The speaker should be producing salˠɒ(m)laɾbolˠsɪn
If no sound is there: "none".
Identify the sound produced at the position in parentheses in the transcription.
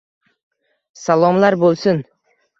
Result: m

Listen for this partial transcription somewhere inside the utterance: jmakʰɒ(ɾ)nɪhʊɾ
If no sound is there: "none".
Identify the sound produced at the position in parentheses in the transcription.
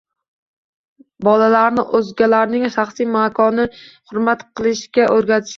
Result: none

